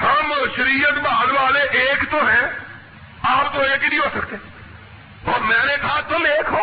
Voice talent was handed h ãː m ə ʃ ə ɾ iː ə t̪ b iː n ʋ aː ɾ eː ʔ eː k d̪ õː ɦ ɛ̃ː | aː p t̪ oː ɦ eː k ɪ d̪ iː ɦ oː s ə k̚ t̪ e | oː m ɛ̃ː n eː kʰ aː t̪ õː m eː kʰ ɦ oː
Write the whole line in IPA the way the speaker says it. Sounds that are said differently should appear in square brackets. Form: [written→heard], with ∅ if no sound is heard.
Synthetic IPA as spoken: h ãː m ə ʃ ə ɾ iː ə t̪ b [iː→aː] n ʋ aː [ɾ→l] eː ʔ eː k [d̪→t̪] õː ɦ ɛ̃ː | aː p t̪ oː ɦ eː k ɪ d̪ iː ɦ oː s ə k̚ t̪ e | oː m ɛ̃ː n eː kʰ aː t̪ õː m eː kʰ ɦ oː